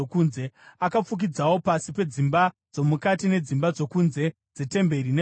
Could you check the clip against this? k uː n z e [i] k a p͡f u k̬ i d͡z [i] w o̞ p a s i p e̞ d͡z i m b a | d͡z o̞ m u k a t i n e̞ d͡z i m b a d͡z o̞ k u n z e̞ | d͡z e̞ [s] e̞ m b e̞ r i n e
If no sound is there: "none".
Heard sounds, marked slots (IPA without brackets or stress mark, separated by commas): a, a, t